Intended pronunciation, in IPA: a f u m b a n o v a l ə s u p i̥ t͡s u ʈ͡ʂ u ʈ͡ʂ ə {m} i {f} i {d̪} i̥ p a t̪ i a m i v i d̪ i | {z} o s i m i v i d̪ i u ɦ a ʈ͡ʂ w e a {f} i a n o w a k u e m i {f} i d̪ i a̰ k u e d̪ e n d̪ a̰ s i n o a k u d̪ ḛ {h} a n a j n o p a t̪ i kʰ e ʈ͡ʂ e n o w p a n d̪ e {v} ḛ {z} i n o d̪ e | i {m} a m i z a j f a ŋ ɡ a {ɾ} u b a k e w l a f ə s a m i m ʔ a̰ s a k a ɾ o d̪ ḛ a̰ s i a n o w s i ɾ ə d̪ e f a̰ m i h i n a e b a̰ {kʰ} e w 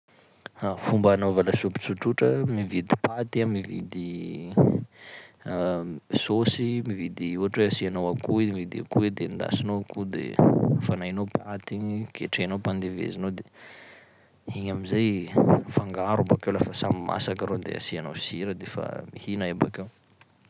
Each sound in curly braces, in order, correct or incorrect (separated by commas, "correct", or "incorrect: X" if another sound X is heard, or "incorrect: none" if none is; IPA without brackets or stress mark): correct, incorrect: v, correct, incorrect: s, incorrect: s, incorrect: v, incorrect: f, correct, correct, incorrect: ɲ, correct, incorrect: k